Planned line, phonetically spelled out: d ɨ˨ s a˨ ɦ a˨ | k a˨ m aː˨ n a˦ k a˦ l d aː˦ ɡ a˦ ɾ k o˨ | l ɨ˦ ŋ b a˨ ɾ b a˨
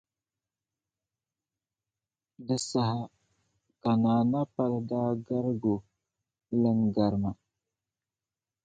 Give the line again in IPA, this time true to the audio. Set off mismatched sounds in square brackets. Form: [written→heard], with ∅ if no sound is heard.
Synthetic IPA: d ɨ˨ s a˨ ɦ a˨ | k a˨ [m→n] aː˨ n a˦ [k→p] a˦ l d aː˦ ɡ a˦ ɾ [k→ɡ] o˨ | l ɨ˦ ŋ [b→ɡ] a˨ ɾ [b→m] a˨